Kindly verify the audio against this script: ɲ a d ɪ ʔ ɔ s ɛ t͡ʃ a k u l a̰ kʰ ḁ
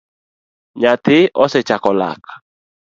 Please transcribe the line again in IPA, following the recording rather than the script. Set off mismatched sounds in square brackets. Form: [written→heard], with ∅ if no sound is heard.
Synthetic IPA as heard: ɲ a [d→t] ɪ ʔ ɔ s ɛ t͡ʃ a k [u→ɔ] l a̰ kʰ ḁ